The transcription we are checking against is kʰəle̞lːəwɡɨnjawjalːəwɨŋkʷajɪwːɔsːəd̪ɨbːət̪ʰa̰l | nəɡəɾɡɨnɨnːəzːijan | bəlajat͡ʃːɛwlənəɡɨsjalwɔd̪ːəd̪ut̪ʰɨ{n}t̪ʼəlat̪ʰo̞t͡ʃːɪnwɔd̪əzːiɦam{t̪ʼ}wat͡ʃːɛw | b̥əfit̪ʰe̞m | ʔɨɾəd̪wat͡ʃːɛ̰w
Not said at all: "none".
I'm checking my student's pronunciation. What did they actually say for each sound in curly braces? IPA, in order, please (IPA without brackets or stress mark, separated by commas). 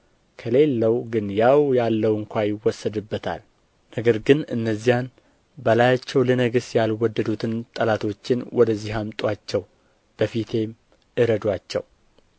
n, t̪ʼ